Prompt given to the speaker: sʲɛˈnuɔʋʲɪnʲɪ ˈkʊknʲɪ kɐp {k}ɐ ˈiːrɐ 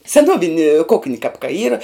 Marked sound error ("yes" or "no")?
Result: no